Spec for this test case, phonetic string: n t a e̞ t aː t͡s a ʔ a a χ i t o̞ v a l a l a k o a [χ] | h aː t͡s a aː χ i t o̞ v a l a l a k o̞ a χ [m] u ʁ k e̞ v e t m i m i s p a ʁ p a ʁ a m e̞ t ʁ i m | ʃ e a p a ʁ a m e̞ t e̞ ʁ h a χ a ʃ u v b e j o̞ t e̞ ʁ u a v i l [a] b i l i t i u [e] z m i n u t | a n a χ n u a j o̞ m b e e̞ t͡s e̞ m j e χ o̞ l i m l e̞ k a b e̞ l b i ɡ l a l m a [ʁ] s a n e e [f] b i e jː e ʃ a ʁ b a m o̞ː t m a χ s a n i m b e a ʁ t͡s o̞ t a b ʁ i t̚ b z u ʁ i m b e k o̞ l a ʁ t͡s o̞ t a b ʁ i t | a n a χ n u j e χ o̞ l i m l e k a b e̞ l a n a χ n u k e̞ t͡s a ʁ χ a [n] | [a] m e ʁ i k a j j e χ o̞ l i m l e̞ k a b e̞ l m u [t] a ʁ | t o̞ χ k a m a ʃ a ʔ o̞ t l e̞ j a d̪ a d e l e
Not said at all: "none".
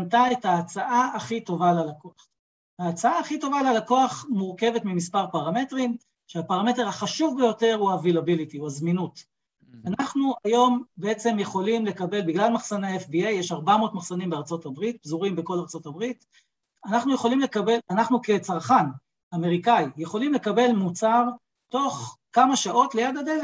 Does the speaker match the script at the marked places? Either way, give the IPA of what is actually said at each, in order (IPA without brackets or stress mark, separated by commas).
χ, m, a, a, χ, f, n, a, t͡s